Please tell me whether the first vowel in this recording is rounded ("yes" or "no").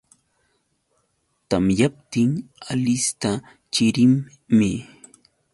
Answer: no